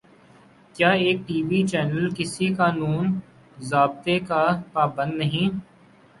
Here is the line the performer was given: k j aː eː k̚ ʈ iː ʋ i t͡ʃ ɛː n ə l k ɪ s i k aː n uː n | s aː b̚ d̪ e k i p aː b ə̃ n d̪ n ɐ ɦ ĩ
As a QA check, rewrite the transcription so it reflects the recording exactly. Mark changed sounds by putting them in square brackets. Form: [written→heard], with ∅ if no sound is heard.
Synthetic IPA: k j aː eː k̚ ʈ iː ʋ i t͡ʃ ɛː n ə l k ɪ s i k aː n uː n | [s→z] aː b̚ [d̪→t̪] e k [i→a] p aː b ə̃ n d̪ n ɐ ɦ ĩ

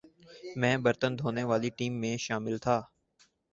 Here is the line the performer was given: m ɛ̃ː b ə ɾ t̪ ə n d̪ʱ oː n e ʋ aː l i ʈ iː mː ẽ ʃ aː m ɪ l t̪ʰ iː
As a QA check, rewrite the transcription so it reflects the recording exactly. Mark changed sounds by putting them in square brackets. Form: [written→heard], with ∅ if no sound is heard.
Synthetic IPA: m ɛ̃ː b ə ɾ t̪ ə n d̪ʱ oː n e ʋ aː l i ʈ iː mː ẽ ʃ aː m ɪ l t̪ʰ [iː→aː]

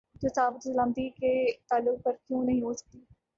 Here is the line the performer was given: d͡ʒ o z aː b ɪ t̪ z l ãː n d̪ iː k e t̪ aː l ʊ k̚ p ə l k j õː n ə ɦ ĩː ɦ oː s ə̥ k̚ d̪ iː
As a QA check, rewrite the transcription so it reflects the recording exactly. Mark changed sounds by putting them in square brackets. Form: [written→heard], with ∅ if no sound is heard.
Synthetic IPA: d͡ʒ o [z→s] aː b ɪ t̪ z l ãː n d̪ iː k e t̪ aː l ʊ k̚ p ə [l→ɾ] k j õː n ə ɦ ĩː ɦ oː s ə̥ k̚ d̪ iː

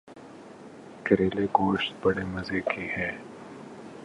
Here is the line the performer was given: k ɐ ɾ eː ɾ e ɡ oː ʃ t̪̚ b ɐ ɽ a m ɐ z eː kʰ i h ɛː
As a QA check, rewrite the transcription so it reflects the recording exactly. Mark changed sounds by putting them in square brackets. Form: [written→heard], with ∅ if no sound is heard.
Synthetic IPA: k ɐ ɾ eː [ɾ→l] e ɡ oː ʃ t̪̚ b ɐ ɽ [a→e] m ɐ z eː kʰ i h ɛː

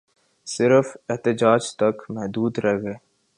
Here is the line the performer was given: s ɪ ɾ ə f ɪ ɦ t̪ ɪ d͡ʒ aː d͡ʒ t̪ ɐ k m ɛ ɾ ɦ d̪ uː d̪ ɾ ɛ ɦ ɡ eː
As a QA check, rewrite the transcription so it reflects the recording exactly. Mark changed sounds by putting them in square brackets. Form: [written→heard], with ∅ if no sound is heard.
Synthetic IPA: s ɪ ɾ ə f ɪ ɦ t̪ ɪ d͡ʒ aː d͡ʒ t̪ ɐ k m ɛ [ɾ→∅] ɦ d̪ uː d̪ ɾ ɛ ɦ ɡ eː

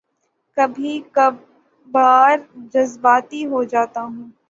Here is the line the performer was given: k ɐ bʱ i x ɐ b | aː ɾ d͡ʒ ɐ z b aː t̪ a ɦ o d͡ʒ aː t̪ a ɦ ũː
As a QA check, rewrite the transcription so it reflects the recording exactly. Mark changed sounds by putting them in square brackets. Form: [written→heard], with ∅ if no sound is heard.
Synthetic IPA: k ɐ bʱ i [x→k] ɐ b | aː ɾ d͡ʒ ɐ z b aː t̪ [a→i] ɦ o d͡ʒ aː t̪ a ɦ ũː

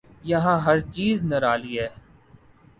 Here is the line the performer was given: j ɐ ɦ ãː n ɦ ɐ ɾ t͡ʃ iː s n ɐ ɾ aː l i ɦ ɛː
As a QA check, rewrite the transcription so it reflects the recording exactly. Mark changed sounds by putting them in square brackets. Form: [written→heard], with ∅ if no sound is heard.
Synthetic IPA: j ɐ ɦ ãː [n→∅] ɦ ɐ ɾ t͡ʃ iː [s→z] n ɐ ɾ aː l i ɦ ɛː

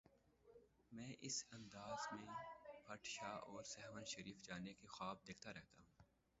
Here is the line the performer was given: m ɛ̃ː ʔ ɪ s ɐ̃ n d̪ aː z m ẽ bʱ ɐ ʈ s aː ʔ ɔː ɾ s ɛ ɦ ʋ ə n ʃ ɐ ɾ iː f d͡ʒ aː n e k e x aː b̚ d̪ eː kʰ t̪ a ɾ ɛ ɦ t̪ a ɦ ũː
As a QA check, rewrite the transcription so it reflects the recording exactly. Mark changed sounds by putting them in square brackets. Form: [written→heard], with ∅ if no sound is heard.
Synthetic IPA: m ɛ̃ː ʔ ɪ s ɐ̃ n d̪ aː z m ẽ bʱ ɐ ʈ [s→ʃ] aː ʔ ɔː ɾ s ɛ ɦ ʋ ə n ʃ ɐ ɾ iː f d͡ʒ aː n e k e x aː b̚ d̪ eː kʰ t̪ a ɾ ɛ ɦ t̪ a ɦ ũː

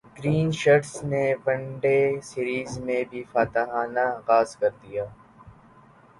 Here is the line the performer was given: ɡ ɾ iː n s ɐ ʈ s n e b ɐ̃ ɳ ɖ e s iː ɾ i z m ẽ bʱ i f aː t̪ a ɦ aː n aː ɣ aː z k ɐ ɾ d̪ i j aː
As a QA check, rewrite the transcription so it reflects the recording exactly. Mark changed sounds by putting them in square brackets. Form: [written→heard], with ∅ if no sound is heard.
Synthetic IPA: ɡ ɾ iː n [s→ʃ] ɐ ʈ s n e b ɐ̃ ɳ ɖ e s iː ɾ [i→iː] z m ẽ bʱ i f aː t̪ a ɦ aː n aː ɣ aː z k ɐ ɾ d̪ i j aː

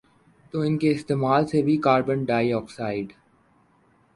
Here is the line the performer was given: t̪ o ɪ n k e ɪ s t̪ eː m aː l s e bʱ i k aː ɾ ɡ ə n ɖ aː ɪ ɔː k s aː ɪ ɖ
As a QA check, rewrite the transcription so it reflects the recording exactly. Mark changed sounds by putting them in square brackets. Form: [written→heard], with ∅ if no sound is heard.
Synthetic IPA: t̪ o ɪ n k e ɪ s t̪ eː m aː l s e bʱ i k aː ɾ [ɡ→b] ə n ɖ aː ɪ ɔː k s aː ɪ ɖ

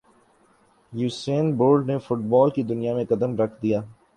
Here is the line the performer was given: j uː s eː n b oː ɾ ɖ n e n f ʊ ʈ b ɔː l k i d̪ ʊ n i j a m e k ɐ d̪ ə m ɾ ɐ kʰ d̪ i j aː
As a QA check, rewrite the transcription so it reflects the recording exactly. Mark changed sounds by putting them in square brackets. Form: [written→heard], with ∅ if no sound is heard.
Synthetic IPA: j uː s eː n b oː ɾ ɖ n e [n→∅] f ʊ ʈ b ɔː l k i d̪ ʊ n i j a m [e→ẽ] k ɐ d̪ ə m ɾ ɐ kʰ d̪ i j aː

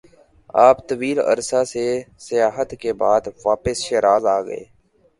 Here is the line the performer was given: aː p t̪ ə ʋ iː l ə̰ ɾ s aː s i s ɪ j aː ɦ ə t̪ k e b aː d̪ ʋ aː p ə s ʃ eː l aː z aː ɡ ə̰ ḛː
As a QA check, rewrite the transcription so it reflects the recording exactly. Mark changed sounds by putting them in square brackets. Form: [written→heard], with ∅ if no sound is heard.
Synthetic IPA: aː p t̪ ə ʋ iː l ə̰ ɾ s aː s [i→e] s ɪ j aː ɦ ə t̪ k e b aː d̪ ʋ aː p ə s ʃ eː [l→ɾ] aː z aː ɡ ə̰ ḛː

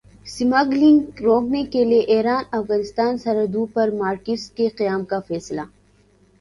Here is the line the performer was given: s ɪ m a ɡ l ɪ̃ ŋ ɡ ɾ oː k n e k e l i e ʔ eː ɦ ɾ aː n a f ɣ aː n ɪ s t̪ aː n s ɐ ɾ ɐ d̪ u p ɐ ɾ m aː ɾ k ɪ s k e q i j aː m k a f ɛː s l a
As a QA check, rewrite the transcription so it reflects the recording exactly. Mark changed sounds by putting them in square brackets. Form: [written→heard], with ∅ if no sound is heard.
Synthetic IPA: s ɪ m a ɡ l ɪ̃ ŋ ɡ ɾ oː k n e k e l i e ʔ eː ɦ ɾ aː n [a→ɐ] f ɣ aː n ɪ s t̪ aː n s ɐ ɾ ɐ d̪ u p ɐ ɾ m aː ɾ k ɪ s k e q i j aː m k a f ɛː s l a

